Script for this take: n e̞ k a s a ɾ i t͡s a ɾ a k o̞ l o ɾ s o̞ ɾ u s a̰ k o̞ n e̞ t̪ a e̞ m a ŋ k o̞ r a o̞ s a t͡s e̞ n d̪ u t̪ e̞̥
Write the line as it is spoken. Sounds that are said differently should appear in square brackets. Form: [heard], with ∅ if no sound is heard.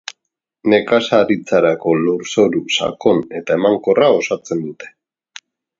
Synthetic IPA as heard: n e̞ k a s a ɾ i t͡s a ɾ a k o̞ l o ɾ s o̞ ɾ u s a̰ k o̞ n e̞ t̪ a e̞ m a ŋ k o̞ r a o̞ s a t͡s e̞ n d̪ u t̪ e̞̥